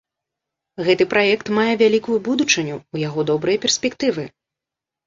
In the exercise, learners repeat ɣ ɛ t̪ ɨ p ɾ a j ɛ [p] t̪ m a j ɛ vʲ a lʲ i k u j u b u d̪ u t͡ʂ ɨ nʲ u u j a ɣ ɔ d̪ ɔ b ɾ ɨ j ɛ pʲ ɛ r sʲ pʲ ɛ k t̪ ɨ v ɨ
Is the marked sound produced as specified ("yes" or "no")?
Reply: no